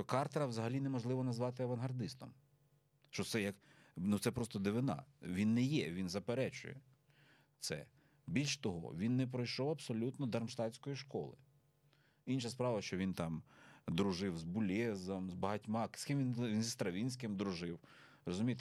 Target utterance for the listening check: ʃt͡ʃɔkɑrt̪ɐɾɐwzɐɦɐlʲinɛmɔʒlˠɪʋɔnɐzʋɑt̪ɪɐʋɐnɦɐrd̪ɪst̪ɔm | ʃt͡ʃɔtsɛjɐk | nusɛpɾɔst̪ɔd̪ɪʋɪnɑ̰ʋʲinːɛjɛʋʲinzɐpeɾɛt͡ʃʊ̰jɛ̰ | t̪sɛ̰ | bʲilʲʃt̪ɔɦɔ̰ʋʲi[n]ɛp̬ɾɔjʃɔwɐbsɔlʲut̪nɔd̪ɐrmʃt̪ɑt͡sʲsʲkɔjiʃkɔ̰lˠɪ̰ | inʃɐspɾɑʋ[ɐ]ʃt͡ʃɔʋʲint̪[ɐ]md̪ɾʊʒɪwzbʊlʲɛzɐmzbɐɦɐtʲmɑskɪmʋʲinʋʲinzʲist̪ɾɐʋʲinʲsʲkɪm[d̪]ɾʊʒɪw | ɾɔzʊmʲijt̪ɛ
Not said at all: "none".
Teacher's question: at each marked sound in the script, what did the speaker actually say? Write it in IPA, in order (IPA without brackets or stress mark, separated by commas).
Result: nː, ɐ, ɑ, d̪